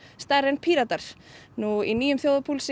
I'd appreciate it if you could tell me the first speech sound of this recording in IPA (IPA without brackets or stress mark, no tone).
s